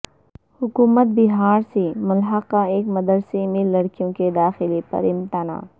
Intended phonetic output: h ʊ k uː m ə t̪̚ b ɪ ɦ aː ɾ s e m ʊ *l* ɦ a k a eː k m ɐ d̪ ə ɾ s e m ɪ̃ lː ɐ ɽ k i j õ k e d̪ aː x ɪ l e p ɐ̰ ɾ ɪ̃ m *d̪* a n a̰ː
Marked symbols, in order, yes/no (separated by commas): yes, no